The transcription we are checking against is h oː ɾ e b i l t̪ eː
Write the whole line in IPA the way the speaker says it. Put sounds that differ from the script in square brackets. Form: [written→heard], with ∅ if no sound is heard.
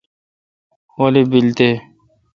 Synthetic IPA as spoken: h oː [ɾ→l] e b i l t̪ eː